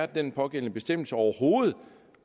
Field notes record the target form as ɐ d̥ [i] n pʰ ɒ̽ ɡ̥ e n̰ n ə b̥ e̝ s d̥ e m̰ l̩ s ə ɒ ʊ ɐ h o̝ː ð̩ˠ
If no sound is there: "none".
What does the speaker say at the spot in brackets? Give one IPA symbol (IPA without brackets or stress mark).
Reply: e